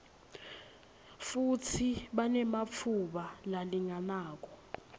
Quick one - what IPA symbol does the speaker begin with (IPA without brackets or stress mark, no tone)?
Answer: f